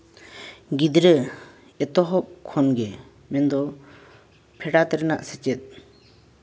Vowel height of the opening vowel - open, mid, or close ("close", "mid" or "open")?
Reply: close